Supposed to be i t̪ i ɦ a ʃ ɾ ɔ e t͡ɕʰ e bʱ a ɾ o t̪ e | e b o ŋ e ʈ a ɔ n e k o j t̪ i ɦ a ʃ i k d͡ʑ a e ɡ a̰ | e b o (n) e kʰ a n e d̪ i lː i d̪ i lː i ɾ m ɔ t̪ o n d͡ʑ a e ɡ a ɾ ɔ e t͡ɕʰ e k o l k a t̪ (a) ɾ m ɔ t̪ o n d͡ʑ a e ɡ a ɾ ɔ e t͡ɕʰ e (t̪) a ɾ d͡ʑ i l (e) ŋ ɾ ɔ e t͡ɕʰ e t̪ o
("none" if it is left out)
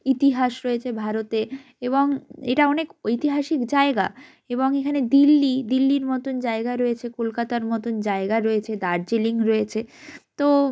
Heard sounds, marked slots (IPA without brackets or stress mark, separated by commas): ŋ, a, d̪, i